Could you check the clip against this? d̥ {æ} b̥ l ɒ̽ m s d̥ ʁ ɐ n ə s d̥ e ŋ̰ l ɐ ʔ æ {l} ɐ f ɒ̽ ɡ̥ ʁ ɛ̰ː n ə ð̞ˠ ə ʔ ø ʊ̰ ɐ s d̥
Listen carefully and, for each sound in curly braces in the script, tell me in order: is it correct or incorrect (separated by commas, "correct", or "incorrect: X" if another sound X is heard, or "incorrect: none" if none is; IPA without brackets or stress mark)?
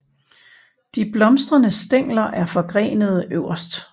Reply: incorrect: i, incorrect: none